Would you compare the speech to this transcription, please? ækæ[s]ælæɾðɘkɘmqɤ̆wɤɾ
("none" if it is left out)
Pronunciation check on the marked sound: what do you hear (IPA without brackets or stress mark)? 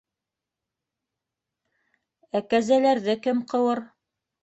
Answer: z